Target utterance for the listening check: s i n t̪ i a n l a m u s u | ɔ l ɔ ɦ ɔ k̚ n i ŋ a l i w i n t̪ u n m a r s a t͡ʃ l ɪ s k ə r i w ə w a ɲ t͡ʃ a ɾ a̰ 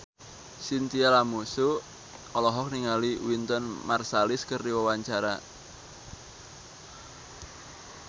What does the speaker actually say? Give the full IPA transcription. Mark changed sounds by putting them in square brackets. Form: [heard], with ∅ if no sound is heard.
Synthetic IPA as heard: s i n t̪ i a [∅] l a m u s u | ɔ l ɔ ɦ ɔ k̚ n i ŋ a l i w i n t̪ [ɔ] n m a r s a [∅] l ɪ s k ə r i w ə w a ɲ t͡ʃ a ɾ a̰

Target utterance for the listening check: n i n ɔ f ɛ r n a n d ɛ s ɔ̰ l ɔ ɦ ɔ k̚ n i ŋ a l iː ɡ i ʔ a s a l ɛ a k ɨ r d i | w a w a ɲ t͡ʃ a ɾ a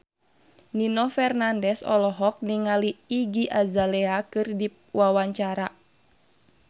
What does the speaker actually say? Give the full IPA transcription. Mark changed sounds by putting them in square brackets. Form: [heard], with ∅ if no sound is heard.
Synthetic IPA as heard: n i n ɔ f ɛ r n a n d ɛ s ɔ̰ l ɔ ɦ ɔ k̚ n i ŋ a l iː ɡ i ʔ a [z] a l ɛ a k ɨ r d i | w a w a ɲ t͡ʃ a ɾ a

